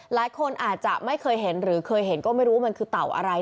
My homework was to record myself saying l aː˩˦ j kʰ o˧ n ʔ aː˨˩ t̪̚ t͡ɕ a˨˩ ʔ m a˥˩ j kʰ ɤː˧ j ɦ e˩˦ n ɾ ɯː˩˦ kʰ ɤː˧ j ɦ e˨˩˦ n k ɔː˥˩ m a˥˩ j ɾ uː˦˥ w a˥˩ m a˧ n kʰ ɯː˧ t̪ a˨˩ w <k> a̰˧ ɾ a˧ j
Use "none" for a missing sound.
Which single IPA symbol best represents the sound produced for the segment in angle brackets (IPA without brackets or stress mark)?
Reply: ʔ